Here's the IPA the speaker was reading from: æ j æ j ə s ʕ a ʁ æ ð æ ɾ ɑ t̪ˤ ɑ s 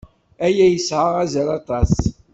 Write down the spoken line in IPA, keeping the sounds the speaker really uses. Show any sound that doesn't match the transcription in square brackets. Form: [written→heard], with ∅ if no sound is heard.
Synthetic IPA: æ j æ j ə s ʕ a ʁ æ [ð→z] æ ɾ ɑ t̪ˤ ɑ s

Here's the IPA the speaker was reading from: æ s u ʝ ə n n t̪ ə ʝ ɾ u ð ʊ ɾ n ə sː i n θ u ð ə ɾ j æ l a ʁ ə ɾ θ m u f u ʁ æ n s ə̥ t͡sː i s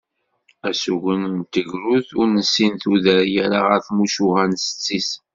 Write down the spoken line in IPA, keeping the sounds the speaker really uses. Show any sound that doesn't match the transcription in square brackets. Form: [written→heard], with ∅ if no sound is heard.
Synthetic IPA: æ s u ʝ ə n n t̪ ə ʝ ɾ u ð ʊ ɾ n ə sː i n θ u ð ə ɾ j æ [l→ɾ] a ʁ ə ɾ θ m u [f→ʃ] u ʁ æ n s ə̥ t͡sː i s

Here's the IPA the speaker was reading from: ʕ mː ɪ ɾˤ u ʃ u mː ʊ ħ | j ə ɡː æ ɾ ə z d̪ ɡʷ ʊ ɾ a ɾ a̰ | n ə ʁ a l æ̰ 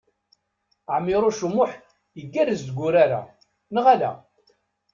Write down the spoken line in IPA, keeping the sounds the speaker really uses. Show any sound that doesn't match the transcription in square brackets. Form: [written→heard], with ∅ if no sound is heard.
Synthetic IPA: ʕ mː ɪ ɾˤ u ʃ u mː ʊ ħ | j ə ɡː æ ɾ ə z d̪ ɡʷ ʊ ɾ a ɾ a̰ | n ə ʁ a l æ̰

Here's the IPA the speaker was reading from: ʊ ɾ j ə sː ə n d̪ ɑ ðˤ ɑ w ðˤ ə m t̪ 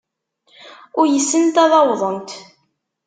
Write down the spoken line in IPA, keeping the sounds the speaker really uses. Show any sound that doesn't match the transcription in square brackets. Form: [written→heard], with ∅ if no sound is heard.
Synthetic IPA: ʊ ɾ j ə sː ə n [d̪→t̪] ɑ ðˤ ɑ w ðˤ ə [m→n] t̪

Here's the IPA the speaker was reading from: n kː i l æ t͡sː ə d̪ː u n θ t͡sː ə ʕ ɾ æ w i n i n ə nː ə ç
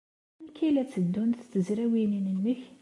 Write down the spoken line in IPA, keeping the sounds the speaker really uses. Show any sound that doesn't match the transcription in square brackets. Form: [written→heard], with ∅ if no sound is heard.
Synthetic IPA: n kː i l æ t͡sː ə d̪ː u n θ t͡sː ə [ʕ→z] ɾ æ w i n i n ə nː ə ç

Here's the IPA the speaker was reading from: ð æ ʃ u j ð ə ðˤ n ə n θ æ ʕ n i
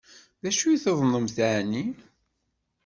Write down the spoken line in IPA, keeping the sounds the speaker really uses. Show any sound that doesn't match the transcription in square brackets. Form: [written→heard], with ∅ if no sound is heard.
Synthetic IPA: ð æ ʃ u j [ð→θ] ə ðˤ n ə [n→m] θ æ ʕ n i

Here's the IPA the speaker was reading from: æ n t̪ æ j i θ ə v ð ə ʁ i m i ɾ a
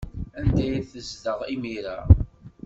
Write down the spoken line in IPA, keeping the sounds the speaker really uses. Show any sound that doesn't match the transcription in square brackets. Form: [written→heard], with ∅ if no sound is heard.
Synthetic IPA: æ n [t̪→d̪] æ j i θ ə [v→z] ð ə ʁ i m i ɾ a

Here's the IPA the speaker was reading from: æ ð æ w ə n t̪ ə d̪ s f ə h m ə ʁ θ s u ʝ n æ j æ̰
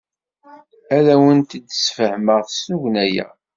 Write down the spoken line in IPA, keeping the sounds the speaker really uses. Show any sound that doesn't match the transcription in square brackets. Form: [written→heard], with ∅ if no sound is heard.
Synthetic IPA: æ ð æ w ə n t̪ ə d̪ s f ə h m ə ʁ θ s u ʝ n æ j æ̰

